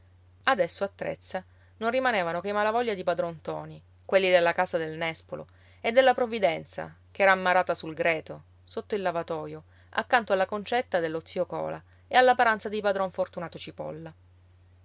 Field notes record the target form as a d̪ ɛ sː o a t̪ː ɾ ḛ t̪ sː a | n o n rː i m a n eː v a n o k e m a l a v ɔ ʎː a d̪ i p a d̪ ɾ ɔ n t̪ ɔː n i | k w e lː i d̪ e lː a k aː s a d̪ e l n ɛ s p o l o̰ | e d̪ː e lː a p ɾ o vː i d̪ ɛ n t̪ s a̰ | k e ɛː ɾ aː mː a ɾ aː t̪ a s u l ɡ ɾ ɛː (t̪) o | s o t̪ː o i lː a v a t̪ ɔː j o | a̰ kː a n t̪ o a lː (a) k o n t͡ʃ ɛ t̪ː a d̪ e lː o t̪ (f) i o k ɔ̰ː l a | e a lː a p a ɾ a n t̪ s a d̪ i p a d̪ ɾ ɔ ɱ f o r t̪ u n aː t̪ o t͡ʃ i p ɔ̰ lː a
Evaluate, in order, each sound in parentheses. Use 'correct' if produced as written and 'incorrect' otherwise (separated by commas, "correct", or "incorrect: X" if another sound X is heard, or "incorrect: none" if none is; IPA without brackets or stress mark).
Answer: correct, correct, incorrect: s